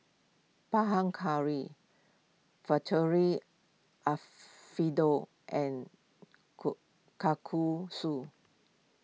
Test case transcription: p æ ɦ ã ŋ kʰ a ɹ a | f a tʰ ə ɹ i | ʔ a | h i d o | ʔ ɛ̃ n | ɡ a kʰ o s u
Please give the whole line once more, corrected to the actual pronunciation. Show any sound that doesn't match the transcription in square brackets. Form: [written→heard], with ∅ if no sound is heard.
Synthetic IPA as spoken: p [æ→a] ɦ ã ŋ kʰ a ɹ [a→i] | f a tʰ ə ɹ i | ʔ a | [h→f] i d o | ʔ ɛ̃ n | [ɡ→k] a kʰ [o→u] s u

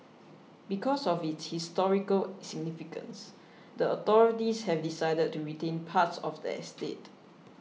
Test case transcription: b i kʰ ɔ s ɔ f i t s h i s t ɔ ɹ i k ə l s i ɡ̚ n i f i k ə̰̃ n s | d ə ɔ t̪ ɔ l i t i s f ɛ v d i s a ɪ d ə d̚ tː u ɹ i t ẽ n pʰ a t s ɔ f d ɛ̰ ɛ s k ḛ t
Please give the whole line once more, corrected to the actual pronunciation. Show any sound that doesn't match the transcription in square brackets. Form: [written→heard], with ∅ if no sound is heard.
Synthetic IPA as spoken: b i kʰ ɔ s ɔ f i t s h i s t ɔ ɹ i k ə l s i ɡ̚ n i f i k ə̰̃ n s | d ə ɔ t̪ ɔ [l→ɹ] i t i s [f→h] ɛ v d i s a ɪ d ə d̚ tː u ɹ i t ẽ n pʰ a t s ɔ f d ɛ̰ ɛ s [k→t] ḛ t

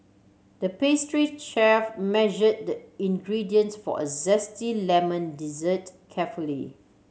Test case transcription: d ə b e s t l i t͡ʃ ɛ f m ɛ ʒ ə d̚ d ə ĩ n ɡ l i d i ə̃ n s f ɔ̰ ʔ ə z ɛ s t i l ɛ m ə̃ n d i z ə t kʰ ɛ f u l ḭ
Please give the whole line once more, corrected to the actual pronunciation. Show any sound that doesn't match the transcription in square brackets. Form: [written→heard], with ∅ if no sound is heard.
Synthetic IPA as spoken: d ə [b→p] e s t [l→ɹ] i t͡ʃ ɛ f m ɛ ʒ ə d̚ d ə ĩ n ɡ [l→ɹ] i d i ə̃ n s f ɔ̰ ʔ ə z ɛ s t i l ɛ m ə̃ n d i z ə t kʰ ɛ f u l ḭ

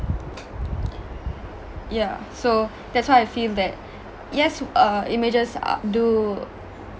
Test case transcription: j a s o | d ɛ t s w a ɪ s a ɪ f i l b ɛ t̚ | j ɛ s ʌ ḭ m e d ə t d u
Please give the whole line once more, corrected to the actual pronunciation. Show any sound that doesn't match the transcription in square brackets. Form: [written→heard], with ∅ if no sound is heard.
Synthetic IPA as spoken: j a s o | d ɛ t s w a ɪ [s→∅] a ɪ f i l [b→d] ɛ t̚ | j ɛ s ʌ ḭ m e [d→d͡ʒ] ə [t→s] d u

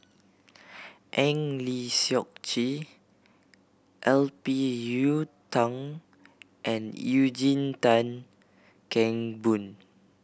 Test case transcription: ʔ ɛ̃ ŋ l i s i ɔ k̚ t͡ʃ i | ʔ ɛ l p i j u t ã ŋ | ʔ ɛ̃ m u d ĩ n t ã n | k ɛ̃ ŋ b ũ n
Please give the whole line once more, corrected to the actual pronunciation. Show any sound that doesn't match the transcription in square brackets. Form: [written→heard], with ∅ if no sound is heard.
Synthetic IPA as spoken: ʔ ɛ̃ ŋ l i s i ɔ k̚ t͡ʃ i | ʔ ɛ l p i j u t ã ŋ | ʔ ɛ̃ [m→n] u [d→d͡ʒ] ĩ n t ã n | k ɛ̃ ŋ b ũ n

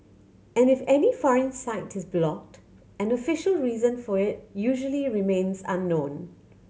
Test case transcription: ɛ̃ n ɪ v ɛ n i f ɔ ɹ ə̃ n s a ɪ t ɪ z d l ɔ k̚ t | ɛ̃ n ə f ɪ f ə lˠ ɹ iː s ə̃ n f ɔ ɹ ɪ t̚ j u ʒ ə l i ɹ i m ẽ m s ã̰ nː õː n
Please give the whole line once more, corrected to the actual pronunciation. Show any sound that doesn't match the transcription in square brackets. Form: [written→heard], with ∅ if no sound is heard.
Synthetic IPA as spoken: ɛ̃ n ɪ [v→f] ɛ n i f ɔ ɹ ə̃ n s a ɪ t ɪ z [d→b] l ɔ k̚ t | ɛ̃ n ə f ɪ [f→ʃ] ə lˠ ɹ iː [s→z] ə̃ n f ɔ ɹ ɪ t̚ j u ʒ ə l i ɹ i m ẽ [m→n] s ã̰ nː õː n

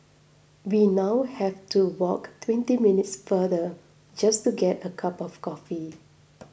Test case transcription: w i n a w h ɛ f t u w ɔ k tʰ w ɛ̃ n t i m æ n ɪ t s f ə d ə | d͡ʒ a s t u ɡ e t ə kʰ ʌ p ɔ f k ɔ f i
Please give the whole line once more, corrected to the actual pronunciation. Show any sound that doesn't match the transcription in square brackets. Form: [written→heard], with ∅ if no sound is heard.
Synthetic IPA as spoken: w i n a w h ɛ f t u w ɔ k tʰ w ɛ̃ n t i m [æ→i] n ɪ t s f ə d ə | d͡ʒ a s t u ɡ [e→ɛ] t ə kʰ [ʌ→a] p ɔ f k ɔ f i

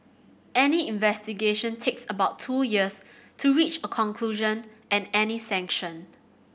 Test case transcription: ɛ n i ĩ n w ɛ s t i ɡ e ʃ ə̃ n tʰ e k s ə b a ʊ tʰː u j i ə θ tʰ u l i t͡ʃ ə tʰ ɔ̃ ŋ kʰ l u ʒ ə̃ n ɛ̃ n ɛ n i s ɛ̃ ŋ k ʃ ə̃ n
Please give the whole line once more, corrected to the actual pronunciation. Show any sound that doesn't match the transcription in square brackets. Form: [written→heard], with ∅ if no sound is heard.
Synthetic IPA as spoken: ɛ n i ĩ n [w→v] ɛ s t i ɡ e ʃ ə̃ n tʰ e k s ə b a ʊ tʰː u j i ə [θ→s] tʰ u [l→ɹ] i t͡ʃ ə [tʰ→kʰ] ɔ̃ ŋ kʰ l u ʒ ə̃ n ɛ̃ n ɛ n i s ɛ̃ ŋ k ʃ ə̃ n

